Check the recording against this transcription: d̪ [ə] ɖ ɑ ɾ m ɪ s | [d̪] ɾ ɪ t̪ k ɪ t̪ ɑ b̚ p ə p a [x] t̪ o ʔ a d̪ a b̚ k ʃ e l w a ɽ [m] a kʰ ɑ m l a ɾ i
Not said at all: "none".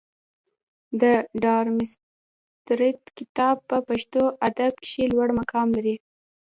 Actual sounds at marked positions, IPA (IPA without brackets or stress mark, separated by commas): ə, t̪, ʃ, m